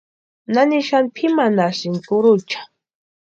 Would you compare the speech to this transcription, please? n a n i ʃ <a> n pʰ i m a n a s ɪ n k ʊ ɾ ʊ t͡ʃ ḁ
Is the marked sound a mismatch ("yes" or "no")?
no